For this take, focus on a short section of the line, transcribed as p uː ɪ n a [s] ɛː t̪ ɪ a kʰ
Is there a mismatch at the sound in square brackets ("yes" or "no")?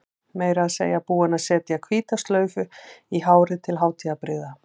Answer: no